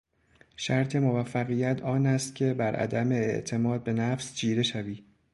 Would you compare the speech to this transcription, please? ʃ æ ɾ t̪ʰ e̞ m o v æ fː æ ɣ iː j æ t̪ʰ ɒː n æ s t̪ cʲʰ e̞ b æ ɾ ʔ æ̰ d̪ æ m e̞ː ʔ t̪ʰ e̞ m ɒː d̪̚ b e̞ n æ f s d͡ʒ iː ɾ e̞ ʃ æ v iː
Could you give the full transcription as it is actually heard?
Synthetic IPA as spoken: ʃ æ ɾ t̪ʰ e̞ m o v æ fː æ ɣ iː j æ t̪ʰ ɒː n æ s t̪ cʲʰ e̞ b æ ɾ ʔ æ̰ d̪ æ m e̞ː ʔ t̪ʰ e̞ m ɒː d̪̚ b e̞ n æ f s d͡ʒ iː ɾ e̞ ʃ æ v iː